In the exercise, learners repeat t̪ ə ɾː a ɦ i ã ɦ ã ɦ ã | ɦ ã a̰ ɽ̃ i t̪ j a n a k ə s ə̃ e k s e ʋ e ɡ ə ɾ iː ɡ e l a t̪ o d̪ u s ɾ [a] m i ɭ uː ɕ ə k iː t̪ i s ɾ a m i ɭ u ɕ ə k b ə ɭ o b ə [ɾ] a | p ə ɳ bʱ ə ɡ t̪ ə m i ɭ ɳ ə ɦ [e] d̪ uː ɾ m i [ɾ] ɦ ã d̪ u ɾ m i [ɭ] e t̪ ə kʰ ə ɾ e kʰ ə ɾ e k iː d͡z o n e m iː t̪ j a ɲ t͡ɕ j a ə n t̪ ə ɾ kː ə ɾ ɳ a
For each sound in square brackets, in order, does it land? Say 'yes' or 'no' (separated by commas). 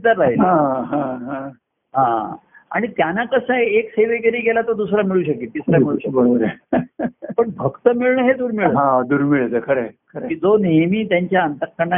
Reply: yes, yes, yes, no, yes